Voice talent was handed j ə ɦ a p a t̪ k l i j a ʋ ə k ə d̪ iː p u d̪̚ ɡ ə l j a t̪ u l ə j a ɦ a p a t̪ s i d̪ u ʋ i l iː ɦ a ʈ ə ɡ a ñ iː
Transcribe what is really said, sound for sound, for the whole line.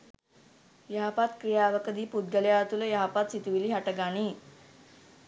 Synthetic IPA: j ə ɦ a p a t̪ k ɾ i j a ʋ ə k ə d̪ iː p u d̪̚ ɡ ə l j a t̪ u l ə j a ɦ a p a t̪ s i t̪ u ʋ i l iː ɦ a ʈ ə ɡ a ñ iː